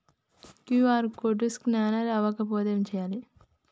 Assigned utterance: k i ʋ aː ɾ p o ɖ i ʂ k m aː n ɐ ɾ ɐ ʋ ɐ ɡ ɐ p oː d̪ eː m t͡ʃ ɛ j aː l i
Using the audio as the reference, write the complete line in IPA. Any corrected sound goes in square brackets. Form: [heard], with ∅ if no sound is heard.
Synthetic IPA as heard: k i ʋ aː ɾ [k] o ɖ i [s] k [n] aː n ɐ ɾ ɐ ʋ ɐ [k] ɐ p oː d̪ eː m t͡ʃ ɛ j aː l i